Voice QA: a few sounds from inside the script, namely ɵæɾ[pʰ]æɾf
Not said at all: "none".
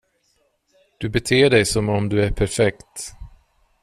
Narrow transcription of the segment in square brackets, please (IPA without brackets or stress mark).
pʰ